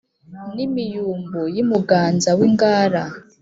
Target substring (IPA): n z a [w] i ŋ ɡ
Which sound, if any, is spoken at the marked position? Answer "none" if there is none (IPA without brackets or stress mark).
w